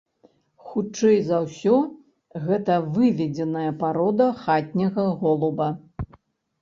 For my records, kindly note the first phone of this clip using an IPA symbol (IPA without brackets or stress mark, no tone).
x